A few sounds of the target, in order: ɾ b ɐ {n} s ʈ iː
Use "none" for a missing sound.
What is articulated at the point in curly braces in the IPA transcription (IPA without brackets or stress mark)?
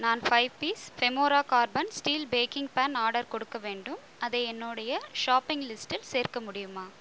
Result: n